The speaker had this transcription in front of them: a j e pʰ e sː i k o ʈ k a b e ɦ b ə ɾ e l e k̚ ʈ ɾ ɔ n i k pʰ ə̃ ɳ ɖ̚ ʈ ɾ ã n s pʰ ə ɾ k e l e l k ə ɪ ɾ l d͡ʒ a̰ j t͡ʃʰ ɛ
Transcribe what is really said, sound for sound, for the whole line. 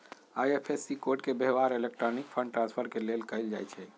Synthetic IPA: a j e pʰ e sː i k o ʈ k e b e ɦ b a ɾ e l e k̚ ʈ ɾ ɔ n i k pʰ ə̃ ɳ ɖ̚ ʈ ɾ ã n s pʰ ə ɾ k e l e l k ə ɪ l d͡ʒ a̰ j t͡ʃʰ ɛ